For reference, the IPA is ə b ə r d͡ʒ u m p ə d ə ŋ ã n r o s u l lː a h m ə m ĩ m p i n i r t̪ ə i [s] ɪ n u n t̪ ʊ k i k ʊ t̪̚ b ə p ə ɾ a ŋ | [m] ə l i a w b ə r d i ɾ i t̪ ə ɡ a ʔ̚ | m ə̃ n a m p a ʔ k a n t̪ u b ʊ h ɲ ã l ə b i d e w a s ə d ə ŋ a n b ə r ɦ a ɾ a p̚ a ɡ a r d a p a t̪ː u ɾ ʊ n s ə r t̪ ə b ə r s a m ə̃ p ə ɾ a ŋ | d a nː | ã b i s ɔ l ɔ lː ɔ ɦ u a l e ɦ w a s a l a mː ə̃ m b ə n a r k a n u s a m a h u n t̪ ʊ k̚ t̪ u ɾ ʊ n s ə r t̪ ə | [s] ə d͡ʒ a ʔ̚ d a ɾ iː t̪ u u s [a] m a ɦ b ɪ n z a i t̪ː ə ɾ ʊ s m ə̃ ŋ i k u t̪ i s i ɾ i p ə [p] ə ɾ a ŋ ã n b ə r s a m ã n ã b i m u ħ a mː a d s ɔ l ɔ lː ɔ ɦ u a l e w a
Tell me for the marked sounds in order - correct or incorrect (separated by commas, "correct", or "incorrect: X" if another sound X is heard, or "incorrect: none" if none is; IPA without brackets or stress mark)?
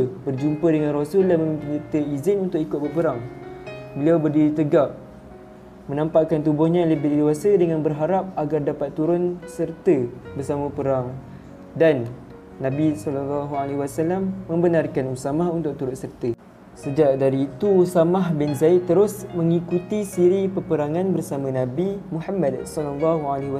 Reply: incorrect: z, incorrect: b, correct, correct, correct